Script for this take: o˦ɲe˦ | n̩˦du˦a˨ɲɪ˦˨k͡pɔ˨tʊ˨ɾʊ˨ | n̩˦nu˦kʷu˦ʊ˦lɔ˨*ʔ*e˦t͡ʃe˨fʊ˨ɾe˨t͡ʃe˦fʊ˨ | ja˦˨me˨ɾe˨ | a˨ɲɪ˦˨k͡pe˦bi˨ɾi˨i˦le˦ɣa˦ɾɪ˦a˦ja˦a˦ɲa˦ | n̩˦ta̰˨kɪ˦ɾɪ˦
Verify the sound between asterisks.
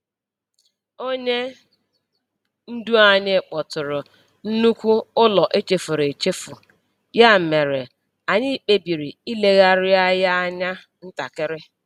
correct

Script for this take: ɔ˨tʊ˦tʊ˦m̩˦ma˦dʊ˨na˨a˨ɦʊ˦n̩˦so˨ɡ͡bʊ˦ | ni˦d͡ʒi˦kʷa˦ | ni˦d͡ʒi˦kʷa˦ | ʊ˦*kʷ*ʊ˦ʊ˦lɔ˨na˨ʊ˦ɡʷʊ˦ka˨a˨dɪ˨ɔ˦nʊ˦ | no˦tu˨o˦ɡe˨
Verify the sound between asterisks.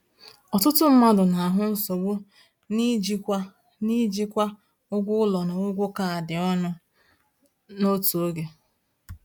incorrect: ɡʷ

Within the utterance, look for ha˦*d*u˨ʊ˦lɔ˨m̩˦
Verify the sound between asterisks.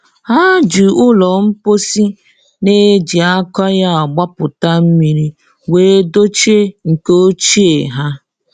incorrect: d͡ʒ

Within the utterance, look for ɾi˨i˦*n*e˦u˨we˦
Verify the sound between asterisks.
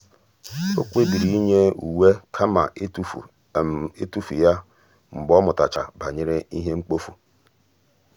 incorrect: ɲ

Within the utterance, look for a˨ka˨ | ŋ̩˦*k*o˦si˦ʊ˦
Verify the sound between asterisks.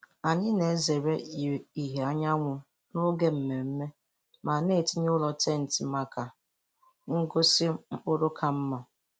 incorrect: ɡ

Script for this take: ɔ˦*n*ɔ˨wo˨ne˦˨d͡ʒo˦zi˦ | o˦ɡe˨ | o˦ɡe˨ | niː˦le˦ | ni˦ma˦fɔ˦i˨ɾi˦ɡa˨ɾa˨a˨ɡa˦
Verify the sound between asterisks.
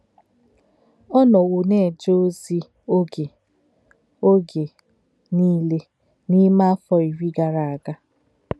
correct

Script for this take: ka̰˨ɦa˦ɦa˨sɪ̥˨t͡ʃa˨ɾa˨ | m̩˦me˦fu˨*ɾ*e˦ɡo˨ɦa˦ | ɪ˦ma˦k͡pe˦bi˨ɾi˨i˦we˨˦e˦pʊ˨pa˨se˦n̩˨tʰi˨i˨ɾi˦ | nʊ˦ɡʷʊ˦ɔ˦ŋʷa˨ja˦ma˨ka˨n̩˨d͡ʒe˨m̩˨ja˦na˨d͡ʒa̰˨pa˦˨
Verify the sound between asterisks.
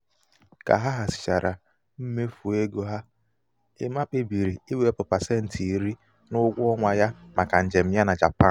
incorrect: none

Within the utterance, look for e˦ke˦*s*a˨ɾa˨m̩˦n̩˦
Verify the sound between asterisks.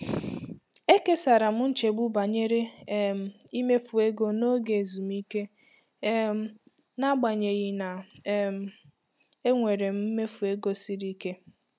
correct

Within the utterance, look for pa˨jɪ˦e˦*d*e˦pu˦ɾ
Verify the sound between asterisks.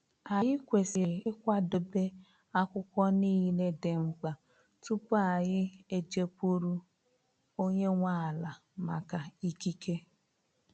incorrect: d͡ʒ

